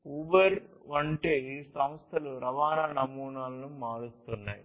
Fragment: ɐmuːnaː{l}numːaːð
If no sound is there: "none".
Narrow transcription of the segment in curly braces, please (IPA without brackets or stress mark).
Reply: l